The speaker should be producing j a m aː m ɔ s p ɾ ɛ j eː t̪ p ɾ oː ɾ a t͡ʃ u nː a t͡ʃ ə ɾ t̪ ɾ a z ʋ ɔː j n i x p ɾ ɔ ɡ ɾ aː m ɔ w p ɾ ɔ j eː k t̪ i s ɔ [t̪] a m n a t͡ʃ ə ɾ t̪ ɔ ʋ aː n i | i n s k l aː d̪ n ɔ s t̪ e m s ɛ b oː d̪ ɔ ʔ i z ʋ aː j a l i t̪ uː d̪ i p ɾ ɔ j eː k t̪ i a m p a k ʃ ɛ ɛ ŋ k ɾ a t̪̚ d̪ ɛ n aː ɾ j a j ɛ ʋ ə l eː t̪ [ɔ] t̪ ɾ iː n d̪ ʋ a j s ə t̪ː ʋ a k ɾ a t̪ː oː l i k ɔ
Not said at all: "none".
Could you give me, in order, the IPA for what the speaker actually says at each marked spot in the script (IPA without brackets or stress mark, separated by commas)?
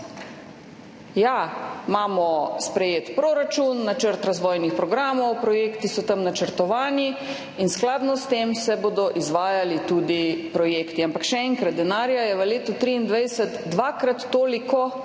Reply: t̪, u